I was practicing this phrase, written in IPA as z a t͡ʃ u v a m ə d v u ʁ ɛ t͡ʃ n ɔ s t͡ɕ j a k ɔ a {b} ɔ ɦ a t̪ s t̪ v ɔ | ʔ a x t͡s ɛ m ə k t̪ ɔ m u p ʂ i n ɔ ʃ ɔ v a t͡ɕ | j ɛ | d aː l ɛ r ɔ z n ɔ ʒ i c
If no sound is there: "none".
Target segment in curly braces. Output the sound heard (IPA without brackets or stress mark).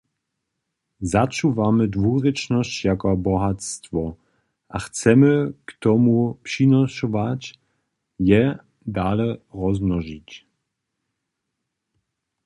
b